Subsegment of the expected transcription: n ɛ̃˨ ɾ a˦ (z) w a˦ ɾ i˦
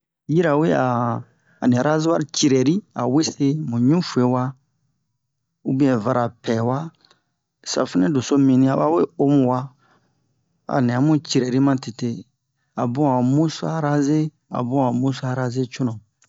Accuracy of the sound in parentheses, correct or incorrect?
correct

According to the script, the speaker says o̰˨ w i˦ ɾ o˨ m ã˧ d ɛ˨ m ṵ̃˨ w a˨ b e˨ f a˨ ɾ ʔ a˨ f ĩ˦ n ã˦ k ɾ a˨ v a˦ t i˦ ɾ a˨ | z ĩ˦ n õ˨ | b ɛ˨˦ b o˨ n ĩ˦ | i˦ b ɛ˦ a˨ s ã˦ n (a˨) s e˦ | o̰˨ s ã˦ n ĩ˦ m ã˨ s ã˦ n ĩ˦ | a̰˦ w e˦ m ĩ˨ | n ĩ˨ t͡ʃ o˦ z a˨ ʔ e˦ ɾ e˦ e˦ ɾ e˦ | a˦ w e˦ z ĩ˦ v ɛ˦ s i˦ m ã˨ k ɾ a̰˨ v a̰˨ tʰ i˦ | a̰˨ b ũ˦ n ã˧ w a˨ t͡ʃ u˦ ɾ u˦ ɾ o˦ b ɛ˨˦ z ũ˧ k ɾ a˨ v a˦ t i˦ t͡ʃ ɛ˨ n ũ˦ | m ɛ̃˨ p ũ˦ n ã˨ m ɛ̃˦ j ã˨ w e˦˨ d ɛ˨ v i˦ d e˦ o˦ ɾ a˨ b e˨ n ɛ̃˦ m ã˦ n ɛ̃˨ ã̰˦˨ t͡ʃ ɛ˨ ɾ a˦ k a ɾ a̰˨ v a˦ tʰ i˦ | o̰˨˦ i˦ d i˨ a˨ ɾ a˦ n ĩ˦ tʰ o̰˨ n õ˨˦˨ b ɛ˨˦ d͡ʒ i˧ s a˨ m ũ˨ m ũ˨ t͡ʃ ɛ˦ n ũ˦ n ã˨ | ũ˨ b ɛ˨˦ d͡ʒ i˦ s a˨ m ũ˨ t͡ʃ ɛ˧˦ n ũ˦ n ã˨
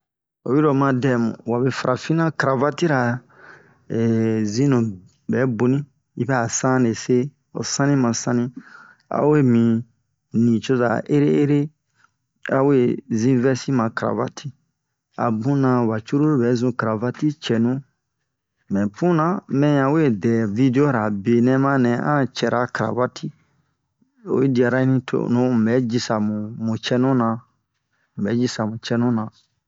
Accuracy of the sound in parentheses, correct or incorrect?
incorrect: e˨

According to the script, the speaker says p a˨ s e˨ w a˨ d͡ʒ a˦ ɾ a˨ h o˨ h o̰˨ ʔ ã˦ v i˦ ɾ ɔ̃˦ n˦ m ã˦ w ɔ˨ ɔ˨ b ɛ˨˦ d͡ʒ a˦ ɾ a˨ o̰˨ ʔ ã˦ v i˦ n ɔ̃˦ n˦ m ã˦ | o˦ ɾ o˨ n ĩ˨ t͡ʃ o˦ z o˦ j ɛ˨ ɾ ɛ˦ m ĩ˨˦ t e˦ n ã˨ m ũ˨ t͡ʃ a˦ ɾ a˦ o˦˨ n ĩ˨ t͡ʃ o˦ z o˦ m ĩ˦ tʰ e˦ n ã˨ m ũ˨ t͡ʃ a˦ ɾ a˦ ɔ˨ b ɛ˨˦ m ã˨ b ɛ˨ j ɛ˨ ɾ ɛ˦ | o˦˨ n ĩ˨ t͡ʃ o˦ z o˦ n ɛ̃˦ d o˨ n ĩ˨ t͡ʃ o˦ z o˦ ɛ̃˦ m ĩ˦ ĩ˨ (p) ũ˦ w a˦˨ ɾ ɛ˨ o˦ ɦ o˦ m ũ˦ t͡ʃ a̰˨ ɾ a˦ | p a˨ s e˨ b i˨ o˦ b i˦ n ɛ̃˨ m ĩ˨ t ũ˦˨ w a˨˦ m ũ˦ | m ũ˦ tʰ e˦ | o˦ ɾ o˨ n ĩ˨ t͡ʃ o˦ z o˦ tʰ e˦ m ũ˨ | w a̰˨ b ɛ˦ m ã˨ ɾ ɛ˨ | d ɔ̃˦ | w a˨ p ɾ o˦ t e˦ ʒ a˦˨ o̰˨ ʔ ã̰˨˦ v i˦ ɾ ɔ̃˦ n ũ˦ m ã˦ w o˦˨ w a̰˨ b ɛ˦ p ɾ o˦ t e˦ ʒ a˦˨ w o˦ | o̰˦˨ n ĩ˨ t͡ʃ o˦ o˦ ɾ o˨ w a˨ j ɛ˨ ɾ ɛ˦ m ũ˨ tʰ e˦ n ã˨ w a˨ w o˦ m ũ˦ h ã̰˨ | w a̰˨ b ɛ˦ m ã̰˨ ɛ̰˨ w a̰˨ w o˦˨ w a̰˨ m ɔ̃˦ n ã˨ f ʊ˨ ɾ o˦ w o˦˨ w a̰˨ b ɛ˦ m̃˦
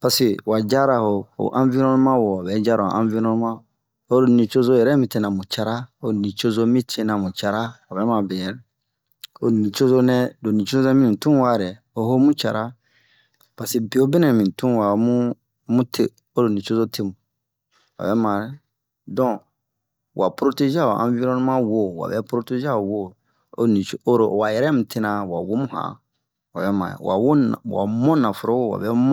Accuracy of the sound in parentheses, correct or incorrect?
incorrect: t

